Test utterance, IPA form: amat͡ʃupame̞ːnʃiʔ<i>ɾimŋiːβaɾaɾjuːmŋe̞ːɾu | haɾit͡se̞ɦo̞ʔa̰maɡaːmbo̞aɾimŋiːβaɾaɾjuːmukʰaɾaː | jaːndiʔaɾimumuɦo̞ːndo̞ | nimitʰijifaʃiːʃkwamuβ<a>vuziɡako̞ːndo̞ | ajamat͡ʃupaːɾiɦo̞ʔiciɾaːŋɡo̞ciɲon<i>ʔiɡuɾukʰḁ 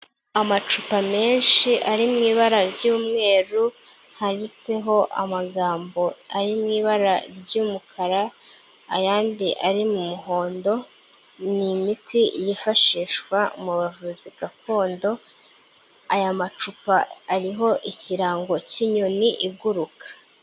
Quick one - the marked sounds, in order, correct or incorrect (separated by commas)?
incorrect, correct, correct